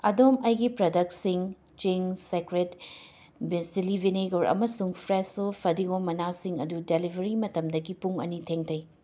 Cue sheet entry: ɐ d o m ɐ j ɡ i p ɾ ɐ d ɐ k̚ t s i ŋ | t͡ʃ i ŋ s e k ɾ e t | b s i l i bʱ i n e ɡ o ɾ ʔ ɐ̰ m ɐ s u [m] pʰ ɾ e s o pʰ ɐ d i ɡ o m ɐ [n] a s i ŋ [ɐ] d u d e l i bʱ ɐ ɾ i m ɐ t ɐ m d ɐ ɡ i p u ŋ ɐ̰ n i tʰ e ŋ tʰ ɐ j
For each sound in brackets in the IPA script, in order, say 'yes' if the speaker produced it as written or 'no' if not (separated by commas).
no, yes, yes